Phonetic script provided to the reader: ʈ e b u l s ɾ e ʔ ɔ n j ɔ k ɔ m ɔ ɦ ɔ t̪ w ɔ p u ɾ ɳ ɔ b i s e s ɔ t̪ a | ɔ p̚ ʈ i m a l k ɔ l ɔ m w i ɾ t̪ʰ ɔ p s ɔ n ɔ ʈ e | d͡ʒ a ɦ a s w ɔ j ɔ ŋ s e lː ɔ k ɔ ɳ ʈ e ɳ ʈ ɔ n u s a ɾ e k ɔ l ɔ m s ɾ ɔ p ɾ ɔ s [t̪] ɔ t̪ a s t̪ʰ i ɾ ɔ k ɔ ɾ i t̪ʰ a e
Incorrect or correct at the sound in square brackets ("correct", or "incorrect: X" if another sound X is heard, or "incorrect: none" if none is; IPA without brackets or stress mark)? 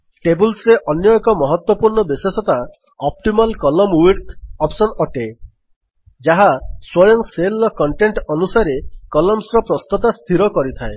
correct